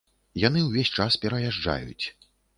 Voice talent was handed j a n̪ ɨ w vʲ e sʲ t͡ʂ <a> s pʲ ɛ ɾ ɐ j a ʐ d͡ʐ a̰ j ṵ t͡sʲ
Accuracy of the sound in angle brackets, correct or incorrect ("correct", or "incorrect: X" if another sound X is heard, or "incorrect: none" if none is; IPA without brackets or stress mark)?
correct